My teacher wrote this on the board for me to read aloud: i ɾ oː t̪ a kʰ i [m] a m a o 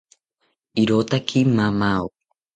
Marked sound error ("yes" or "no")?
no